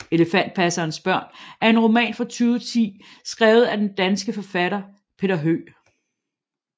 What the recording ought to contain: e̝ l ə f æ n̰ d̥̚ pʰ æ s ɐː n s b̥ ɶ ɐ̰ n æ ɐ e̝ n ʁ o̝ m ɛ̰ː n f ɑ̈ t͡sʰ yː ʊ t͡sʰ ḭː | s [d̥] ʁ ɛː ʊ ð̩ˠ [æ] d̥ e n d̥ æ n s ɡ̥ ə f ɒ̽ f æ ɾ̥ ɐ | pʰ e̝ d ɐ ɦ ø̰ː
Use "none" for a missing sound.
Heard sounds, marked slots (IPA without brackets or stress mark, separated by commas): ɡ̥, æ